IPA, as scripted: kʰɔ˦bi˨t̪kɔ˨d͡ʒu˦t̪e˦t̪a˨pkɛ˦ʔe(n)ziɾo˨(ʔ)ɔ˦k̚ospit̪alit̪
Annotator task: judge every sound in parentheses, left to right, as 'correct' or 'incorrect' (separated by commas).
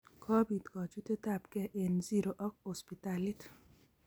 correct, correct